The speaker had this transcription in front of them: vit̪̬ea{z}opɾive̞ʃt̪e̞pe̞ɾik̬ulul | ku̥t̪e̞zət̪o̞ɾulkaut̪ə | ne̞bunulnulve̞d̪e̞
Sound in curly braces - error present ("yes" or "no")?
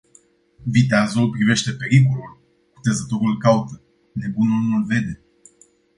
no